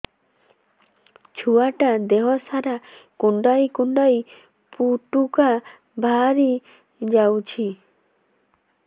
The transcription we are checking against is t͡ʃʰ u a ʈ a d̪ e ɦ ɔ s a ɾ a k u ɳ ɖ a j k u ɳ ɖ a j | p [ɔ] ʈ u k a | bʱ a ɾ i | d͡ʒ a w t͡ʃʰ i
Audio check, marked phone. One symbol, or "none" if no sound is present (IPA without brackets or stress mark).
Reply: u